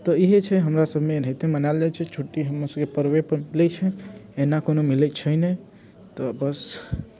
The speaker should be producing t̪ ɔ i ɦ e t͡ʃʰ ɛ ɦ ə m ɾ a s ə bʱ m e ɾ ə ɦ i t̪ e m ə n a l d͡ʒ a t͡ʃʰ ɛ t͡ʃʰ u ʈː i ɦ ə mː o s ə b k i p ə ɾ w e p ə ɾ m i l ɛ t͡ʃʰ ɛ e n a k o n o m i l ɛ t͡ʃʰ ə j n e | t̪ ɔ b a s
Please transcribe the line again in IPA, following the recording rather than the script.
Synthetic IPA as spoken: t̪ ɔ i ɦ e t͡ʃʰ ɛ ɦ ə m ɾ a s ə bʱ m e ɾ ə ɦ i t̪ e m ə n a l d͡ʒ a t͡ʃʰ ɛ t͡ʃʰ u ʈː i ɦ ə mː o s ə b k e p ə ɾ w e p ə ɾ m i l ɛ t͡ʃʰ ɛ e n a k o n o m i l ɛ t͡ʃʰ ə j n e | t̪ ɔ b ə s